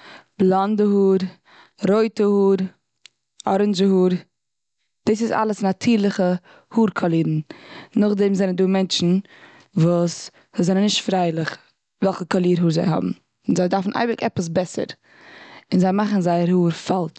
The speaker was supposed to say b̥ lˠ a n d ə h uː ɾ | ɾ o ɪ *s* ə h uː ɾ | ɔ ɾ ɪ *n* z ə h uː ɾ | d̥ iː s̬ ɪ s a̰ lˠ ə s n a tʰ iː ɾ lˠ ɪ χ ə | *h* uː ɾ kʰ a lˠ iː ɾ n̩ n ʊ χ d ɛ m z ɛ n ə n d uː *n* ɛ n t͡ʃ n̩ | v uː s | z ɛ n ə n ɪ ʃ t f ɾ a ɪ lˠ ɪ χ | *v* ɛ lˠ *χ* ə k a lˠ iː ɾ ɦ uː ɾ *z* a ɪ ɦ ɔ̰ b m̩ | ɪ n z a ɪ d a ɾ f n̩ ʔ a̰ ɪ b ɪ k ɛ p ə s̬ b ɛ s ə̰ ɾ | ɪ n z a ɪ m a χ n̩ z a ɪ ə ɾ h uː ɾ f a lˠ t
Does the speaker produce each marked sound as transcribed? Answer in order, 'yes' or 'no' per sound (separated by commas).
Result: no, yes, yes, no, yes, yes, yes